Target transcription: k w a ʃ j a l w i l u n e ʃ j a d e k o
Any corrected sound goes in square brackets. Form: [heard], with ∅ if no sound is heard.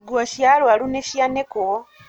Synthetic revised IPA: [ɡ] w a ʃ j a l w [a] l u n e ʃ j a [n] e k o